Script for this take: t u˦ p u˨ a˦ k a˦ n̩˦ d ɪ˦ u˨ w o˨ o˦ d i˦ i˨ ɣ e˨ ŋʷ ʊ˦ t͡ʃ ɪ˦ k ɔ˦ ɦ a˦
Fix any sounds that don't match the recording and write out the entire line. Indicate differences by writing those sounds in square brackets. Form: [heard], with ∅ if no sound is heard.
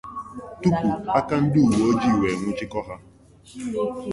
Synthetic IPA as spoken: t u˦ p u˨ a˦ k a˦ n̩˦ d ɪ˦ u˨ w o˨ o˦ [d͡ʒ] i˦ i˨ [w] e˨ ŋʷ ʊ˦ t͡ʃ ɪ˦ k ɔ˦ ɦ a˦